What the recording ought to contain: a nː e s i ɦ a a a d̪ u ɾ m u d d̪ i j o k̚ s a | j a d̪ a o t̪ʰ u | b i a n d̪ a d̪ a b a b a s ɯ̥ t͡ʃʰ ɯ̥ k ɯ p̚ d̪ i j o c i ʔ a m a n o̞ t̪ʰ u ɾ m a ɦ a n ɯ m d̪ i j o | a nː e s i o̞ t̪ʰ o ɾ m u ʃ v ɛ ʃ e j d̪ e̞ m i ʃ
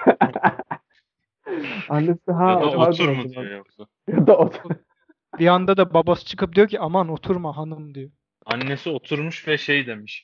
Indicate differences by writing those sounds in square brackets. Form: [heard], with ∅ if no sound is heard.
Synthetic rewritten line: a nː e s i ɦ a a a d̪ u ɾ m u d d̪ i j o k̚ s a | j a d̪ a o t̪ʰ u | b i a n d̪ a d̪ a b a b a s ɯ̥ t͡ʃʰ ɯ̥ k ɯ p̚ d̪ i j o c i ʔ a m a n o̞ t̪ʰ u ɾ m a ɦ a n ɯ m d̪ i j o | a nː e s i o̞ t̪ʰ [u] ɾ m u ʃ v ɛ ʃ e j d̪ e̞ m i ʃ